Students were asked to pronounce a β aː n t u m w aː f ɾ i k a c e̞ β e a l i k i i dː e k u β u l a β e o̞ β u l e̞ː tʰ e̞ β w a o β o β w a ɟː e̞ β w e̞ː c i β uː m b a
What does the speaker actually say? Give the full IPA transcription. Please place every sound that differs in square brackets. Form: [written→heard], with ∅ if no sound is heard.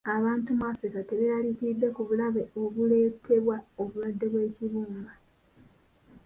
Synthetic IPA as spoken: a β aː n t u m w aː f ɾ i k a [c→t] e̞ β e a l i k i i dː e k u β u l a β e o̞ β u l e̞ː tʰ e̞ β w a o β [o→u] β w a [ɟː→dː] e̞ β w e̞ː c i β uː m b a

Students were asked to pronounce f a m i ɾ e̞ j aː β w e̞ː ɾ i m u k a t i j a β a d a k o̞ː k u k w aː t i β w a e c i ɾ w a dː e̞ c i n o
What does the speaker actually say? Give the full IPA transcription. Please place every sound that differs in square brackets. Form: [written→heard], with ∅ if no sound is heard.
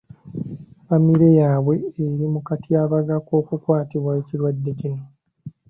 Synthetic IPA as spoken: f a m i ɾ e̞ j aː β w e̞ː ɾ i m u k a t i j a β a [d→ɡ] a k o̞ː k u k w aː t i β w a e c i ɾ w a dː e̞ c i n o

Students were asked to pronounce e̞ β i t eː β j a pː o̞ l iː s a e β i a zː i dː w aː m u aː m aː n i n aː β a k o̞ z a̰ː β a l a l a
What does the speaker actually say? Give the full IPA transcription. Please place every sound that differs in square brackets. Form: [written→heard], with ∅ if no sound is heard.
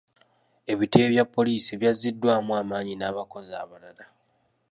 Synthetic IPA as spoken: e̞ β i t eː β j a pː o̞ l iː s [a→i] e β [i→j] a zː i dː w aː m u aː m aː [n→ɲ] i n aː β a k o̞ z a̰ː β a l a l a

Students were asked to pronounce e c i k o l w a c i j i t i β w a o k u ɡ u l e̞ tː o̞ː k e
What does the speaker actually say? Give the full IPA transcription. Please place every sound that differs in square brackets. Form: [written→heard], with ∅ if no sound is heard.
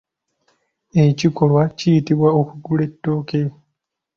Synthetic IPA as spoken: e c i k o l w a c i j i t i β w a o k u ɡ u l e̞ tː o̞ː k e

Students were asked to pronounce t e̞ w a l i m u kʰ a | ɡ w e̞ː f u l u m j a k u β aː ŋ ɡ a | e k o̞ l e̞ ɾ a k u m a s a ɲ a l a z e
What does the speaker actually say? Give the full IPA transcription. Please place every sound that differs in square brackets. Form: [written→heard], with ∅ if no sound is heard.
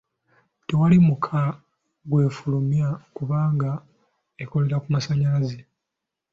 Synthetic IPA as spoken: t e̞ w a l i m u kʰ a | ɡ w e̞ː f u l u m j a k u β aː ŋ ɡ a | e k o̞ l e̞ ɾ a k u m a s a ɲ a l a z e

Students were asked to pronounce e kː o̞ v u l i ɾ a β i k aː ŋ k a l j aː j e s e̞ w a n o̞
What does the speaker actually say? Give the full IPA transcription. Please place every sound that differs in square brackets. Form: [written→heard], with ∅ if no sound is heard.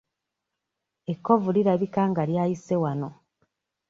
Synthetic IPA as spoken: e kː o̞ v u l i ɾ a β i k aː ŋ [k→ɡ] a l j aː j [e→i] s e̞ w a n o̞

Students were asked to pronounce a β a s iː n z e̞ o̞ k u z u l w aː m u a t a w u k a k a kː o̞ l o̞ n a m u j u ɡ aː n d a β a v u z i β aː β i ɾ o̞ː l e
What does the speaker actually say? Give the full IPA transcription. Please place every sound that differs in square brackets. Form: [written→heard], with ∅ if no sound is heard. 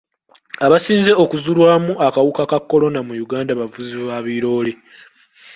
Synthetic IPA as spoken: a β a s iː n z e̞ o̞ k u z u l w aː m u a [t→k] a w u k a k a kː o̞ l o̞ n a m u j u ɡ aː n d a β a v u z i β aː β i ɾ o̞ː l e

